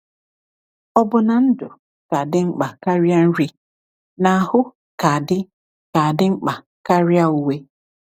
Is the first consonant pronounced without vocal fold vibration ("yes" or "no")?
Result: no